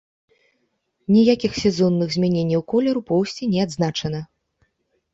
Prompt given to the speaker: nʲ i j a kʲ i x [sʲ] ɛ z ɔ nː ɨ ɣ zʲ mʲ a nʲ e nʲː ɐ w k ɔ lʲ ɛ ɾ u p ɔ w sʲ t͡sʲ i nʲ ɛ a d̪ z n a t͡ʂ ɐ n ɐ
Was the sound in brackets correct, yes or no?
yes